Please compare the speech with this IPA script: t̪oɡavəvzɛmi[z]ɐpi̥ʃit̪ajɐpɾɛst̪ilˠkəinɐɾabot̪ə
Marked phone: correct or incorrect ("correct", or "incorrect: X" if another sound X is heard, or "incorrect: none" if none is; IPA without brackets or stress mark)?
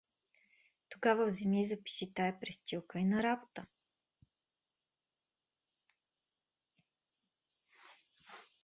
correct